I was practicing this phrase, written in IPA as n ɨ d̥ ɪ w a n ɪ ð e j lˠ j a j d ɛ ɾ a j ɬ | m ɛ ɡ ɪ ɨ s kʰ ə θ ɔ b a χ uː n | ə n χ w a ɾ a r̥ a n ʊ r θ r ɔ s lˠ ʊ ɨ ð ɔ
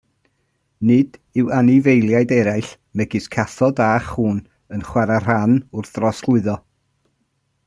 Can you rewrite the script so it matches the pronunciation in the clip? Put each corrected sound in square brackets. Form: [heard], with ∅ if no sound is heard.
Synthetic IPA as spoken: n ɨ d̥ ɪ w a n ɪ [v] e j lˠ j a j d ɛ ɾ a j ɬ | m ɛ ɡ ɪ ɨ s kʰ [a] θ ɔ [d] a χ uː n | ə n χ w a ɾ a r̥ a n ʊ r θ r ɔ s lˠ ʊ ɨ ð ɔ